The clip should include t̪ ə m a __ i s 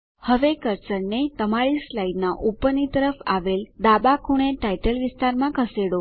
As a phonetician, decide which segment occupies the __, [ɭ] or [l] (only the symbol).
ɭ